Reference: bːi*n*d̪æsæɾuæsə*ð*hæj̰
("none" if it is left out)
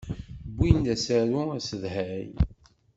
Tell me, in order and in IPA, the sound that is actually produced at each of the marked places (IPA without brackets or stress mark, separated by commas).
n, ð